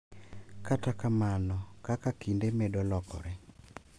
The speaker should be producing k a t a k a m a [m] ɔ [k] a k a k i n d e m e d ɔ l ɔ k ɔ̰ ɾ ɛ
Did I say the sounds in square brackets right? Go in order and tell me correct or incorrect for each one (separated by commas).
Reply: incorrect, correct